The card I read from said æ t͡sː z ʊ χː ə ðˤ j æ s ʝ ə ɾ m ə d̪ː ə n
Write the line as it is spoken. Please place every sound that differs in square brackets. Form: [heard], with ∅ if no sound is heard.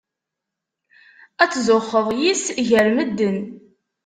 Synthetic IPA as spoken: æ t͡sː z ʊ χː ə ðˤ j [i] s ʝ ə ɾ m ə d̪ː ə n